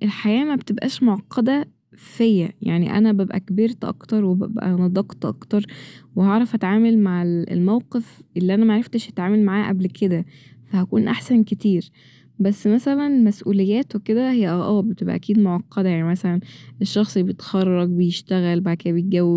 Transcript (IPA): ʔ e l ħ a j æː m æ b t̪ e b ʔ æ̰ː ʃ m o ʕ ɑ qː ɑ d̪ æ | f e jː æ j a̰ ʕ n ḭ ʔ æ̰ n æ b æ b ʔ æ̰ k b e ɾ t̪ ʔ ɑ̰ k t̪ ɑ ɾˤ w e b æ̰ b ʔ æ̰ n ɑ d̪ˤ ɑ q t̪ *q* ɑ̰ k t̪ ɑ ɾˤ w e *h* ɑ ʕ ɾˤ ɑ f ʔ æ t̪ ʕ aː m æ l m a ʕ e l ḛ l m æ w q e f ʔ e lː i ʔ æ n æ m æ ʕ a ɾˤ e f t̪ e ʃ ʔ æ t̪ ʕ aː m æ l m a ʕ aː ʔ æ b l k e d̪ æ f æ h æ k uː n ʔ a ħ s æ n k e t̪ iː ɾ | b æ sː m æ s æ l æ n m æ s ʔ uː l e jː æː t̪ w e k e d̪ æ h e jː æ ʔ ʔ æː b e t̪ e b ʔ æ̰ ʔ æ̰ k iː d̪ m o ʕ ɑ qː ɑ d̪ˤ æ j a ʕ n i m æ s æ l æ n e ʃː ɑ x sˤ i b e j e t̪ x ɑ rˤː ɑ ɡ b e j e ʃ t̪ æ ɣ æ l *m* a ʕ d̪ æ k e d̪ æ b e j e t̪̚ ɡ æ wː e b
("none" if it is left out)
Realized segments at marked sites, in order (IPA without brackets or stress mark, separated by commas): ʔ, h, b